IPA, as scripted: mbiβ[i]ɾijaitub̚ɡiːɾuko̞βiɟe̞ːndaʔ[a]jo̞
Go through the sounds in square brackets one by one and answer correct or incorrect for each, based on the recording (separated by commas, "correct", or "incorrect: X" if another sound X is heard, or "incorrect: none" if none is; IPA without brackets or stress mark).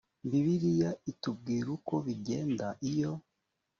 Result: correct, incorrect: i